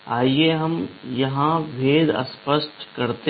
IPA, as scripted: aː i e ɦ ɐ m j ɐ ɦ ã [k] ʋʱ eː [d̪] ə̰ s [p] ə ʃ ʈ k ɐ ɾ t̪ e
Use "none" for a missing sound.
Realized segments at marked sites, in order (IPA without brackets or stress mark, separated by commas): none, d̪, p